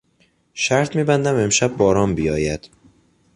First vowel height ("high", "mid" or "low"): low